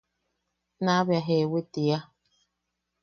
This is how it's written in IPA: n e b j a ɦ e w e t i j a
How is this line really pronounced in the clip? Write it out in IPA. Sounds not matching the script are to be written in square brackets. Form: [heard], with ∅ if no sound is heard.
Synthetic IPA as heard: n [a] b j a ɦ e w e t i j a